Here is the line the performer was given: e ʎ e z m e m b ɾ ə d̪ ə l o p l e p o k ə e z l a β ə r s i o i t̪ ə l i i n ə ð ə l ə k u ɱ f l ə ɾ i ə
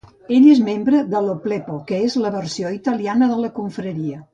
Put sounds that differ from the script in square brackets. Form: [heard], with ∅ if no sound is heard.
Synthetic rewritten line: e ʎ e z m e m b ɾ ə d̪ ə l o p l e p o k ə e z l [ə] β ə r s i o i t̪ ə l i [a] n ə ð ə l ə k u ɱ f [ɾ] ə ɾ i ə